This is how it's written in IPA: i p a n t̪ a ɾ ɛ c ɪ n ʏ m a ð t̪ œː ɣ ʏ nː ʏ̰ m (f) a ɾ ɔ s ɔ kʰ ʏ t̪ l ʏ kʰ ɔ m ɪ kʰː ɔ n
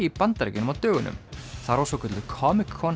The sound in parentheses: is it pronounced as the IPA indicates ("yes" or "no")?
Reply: no